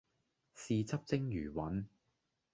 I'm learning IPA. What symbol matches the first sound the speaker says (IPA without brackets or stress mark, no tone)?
s